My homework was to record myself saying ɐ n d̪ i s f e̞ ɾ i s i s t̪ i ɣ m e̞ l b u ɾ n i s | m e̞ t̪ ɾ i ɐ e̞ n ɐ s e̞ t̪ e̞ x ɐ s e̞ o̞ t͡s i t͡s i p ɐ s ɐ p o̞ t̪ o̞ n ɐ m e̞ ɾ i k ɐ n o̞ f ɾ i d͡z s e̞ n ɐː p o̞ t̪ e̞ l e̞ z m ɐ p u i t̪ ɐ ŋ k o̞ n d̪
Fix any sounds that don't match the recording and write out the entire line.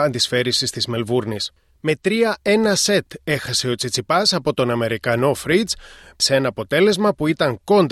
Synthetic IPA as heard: ɐ n d̪ i s f e̞ ɾ i s i s t̪ i z m e̞ l v u ɾ n i s | m e̞ t̪ ɾ i ɐ e̞ n ɐ s e̞ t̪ e̞ x ɐ s e̞ o̞ t͡s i t͡s i p ɐ s ɐ p o̞ t̪ o̞ n ɐ m e̞ ɾ i k ɐ n o̞ f ɾ i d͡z s e̞ n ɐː p o̞ t̪ e̞ l e̞ z m ɐ p u i t̪ ɐ ŋ k o̞ n d̪